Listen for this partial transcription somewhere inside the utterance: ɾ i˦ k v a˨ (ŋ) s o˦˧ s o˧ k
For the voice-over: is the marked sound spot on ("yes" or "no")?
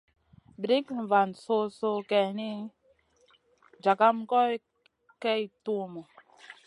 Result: no